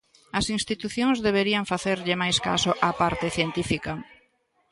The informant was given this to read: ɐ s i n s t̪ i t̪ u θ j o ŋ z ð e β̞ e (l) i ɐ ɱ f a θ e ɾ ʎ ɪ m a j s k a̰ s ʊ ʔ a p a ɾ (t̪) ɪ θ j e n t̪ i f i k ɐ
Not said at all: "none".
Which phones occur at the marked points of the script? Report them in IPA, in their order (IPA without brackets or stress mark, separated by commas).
ɾ, t̪